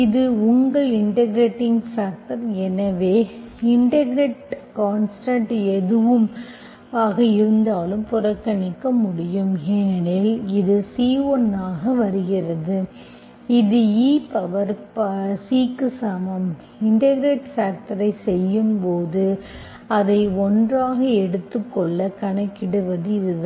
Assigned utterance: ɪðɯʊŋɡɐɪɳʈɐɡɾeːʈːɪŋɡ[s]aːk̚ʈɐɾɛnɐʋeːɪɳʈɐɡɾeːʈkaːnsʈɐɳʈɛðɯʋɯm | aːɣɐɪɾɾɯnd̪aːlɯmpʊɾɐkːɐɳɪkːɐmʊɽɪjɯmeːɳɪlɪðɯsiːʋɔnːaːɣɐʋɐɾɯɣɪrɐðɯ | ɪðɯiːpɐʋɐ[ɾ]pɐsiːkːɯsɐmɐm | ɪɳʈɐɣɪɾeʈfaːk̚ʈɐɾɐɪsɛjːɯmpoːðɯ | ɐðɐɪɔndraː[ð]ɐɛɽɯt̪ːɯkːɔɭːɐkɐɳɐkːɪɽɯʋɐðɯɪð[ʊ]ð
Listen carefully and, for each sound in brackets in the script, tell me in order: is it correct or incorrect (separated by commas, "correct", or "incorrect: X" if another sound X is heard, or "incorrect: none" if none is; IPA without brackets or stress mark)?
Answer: incorrect: f, correct, incorrect: ɣ, incorrect: ɯ